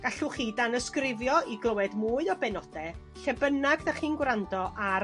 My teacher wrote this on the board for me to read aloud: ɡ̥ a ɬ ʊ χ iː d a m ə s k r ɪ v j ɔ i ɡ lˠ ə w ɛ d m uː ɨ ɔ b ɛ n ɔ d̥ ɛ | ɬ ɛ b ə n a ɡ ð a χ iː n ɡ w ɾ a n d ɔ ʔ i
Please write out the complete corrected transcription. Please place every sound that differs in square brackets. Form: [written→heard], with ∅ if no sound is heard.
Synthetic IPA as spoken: ɡ̥ a ɬ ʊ χ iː d a [m→n] ə s k r ɪ v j ɔ i ɡ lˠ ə w ɛ d m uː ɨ ɔ b ɛ n ɔ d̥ ɛ | ɬ ɛ b ə n a ɡ ð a χ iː n ɡ w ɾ a n d ɔ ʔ [i→a]